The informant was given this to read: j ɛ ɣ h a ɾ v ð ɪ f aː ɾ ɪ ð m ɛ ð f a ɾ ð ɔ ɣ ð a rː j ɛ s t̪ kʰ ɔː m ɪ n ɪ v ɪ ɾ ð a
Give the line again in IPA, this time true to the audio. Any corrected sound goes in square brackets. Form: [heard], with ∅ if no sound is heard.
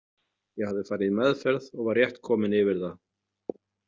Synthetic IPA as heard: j ɛ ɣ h a [∅] v ð ɪ f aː ɾ ɪ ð m ɛ ð f [ɛ] ɾ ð ɔ ɣ [v] a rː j ɛ [h] t̪ kʰ ɔː m ɪ n ɪ v ɪ ɾ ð a